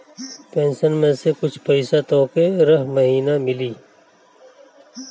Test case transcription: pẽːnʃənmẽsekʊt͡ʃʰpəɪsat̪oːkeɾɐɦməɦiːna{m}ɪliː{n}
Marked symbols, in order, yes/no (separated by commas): yes, no